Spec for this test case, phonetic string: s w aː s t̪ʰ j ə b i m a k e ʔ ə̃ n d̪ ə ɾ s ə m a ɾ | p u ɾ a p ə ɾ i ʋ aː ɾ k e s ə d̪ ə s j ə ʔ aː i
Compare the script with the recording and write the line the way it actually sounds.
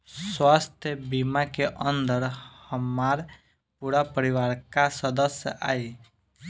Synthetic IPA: s w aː s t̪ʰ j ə b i m a k e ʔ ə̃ n d̪ ə ɾ h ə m a ɾ | p u ɾ a p ə ɾ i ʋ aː ɾ k a s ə d̪ ə s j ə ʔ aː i